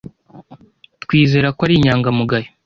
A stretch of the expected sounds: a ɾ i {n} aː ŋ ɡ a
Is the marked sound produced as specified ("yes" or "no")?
no